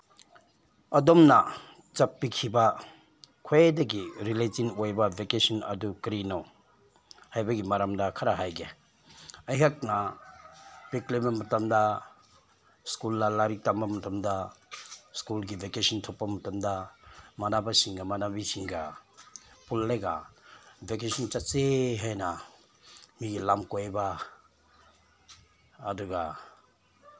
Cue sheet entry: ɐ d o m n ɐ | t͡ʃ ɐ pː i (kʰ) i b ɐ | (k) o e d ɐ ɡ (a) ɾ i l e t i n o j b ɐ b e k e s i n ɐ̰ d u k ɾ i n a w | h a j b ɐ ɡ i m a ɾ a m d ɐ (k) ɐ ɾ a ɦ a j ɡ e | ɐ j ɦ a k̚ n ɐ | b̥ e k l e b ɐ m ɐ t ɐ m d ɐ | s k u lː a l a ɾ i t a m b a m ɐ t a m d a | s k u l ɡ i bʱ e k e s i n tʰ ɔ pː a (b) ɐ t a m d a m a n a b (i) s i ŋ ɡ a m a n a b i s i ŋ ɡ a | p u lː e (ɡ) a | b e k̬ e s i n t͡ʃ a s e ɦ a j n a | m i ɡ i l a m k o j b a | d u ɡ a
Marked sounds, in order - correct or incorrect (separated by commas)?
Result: correct, incorrect, incorrect, incorrect, incorrect, incorrect, correct